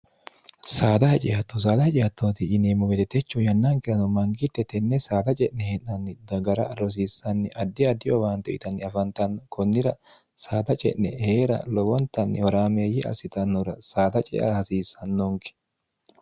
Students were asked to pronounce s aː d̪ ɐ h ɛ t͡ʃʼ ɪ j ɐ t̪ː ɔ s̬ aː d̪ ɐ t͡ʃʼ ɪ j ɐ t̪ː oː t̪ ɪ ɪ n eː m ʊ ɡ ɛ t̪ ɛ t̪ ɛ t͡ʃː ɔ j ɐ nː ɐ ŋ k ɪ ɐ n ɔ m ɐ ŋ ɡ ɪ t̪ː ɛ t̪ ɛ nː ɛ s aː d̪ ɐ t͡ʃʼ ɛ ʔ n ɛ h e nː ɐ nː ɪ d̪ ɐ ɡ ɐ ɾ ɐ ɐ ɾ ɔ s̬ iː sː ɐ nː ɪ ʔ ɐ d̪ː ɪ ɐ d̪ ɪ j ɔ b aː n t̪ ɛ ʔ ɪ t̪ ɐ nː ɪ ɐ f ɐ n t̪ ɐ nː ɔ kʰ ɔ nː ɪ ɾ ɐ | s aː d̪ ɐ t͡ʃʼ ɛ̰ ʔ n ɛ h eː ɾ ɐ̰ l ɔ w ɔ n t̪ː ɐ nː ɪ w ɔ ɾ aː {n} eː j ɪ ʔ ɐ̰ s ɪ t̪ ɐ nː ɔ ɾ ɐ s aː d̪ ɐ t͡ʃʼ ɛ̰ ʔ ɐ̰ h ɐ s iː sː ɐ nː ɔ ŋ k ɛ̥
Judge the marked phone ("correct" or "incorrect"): incorrect